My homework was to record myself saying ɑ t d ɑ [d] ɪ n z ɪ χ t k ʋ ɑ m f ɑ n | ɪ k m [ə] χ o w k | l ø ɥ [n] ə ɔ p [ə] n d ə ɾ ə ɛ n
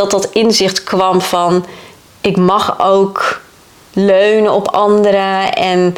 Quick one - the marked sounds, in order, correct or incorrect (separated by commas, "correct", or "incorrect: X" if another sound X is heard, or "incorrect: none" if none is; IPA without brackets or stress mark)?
incorrect: t, incorrect: ɑ, correct, incorrect: ɑ